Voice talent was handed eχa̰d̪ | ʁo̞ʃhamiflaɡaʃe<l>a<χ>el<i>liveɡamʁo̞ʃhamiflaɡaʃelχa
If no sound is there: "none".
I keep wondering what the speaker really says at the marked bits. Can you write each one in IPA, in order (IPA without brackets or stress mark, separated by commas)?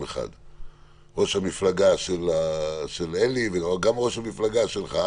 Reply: l, ʃ, e